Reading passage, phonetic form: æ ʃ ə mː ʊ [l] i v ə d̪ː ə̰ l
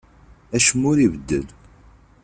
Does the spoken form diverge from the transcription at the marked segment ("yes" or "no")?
yes